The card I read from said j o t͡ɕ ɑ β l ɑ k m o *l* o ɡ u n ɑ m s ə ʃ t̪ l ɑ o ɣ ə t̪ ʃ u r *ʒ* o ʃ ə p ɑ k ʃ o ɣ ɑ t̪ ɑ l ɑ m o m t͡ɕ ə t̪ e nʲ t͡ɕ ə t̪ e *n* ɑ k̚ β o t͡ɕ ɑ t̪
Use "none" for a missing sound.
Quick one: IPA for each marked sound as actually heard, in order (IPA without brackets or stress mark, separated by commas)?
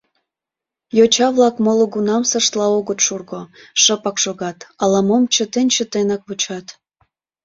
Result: l, ɣ, n